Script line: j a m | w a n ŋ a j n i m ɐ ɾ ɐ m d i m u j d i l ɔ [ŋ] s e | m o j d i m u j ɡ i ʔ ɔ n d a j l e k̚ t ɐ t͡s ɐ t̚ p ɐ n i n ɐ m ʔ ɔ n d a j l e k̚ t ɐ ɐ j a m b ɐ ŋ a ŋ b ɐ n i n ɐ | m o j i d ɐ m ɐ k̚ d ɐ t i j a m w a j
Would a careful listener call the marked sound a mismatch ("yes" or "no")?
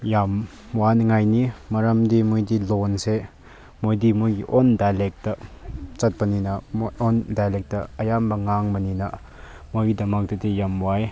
yes